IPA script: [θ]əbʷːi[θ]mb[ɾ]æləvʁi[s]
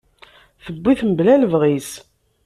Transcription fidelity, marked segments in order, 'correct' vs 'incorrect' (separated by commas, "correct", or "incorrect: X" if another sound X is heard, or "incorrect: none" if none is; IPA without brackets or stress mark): correct, correct, incorrect: l, correct